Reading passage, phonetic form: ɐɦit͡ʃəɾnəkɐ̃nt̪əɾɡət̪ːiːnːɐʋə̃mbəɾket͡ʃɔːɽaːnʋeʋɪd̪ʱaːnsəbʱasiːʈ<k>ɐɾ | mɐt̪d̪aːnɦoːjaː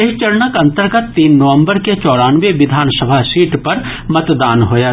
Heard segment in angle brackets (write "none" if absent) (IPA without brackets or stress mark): p